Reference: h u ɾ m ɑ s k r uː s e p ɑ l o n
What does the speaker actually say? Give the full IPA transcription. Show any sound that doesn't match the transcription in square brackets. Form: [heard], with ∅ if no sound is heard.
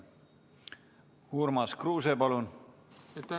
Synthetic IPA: h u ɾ m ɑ s k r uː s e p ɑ l [u] n